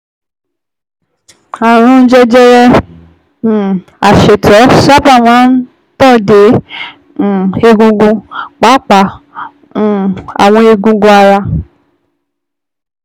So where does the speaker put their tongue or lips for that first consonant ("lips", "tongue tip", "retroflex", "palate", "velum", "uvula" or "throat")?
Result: tongue tip